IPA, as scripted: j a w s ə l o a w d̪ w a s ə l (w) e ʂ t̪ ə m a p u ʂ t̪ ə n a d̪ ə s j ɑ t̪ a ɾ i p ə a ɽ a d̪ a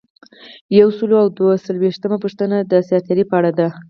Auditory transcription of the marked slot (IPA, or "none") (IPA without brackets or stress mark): w